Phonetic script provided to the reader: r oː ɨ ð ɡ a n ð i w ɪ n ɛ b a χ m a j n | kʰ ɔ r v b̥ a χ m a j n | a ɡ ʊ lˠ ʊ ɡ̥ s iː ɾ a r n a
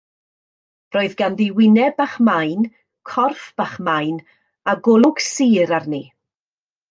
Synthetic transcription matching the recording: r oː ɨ ð ɡ a n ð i w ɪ n ɛ b a χ m a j n | kʰ ɔ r f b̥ a χ m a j n | a ɡ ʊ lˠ ʊ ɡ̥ s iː ɾ a r n i